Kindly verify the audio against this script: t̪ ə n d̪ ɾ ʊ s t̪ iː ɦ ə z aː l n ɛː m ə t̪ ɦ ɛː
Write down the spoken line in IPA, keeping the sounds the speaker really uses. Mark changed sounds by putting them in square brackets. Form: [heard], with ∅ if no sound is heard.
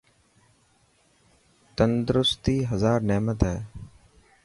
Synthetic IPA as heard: t̪ ə n d̪ ɾ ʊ s t̪ iː ɦ ə z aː [ɾ] n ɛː m ə t̪ ɦ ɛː